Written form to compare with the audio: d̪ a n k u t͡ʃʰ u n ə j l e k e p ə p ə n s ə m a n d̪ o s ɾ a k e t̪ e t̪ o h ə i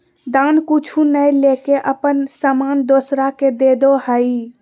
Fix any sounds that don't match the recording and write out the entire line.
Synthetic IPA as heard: d̪ a n k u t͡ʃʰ u n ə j l e k e ʔ ə p ə n s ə m a n d̪ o s ɾ a k e d̪ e d̪ o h ə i